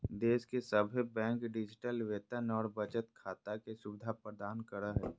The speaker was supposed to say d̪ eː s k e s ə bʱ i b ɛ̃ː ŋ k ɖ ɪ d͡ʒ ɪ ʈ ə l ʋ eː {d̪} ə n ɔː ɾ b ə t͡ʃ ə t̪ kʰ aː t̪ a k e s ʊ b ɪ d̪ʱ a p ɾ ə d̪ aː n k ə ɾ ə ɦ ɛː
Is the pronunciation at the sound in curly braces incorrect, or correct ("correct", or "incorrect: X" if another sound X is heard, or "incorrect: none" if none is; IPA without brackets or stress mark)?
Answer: incorrect: t̪